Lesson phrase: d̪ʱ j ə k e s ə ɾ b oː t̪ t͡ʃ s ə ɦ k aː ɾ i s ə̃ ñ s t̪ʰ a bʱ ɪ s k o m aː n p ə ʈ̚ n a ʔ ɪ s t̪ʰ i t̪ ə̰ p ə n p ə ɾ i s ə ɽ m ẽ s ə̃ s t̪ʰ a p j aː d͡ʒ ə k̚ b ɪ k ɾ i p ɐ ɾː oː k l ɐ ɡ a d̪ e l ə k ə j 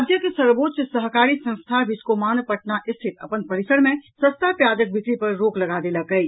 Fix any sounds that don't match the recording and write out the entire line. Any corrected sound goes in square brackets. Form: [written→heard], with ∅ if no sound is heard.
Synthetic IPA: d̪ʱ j ə k e s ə ɾ b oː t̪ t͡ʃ s ə ɦ k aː ɾ i s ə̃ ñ s t̪ʰ a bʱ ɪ s k o m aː n p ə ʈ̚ n a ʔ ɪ s t̪ʰ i t̪ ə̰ p ə n p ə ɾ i s ə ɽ m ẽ s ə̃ s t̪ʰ a p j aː d͡ʒ ə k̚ b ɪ k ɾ i p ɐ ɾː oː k l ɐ ɡ a d̪ e l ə k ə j